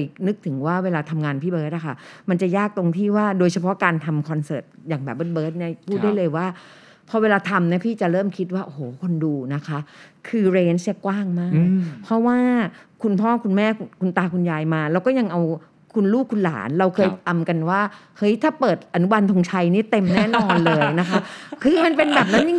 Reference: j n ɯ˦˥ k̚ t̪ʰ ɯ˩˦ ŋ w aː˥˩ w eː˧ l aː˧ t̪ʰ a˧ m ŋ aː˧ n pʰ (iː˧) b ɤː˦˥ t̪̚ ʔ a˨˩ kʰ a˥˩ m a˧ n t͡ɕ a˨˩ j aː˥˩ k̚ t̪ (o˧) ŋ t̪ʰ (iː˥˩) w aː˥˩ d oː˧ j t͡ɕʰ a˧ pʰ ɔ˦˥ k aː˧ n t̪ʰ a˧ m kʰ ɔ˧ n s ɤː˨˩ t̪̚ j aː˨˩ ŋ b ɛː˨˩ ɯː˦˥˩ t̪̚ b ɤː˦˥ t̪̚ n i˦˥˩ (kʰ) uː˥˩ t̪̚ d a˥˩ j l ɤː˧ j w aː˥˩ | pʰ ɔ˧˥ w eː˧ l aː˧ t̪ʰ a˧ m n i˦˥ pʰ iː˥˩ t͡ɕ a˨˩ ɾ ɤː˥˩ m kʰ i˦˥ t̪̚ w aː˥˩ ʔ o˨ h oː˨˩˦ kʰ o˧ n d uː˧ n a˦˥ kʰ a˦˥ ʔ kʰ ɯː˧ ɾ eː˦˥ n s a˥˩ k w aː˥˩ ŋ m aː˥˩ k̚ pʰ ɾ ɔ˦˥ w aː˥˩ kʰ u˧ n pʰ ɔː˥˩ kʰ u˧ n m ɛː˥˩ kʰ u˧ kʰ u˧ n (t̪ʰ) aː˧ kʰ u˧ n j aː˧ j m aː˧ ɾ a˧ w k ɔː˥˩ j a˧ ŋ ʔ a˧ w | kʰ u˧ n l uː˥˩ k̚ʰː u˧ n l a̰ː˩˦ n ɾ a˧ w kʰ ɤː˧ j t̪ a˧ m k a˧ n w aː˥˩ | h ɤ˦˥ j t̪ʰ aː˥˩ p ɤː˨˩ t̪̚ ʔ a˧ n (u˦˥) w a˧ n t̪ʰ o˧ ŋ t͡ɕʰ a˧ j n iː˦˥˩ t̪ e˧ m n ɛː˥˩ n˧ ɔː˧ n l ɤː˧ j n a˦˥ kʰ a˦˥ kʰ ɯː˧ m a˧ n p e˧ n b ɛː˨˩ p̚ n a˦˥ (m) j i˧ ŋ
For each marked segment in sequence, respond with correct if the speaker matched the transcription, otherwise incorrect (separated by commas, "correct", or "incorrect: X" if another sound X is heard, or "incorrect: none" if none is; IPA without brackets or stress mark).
incorrect: iː˥˩, correct, correct, incorrect: pʰ, incorrect: t̪, correct, incorrect: n